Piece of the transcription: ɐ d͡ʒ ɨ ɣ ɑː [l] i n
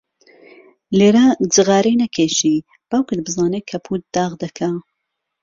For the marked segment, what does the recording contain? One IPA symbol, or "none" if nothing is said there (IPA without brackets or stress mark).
ɾ